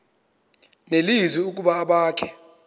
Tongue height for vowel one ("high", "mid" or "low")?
mid